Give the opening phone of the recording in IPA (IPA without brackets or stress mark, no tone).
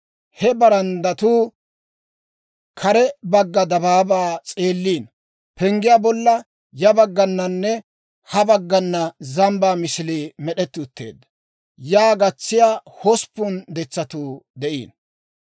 h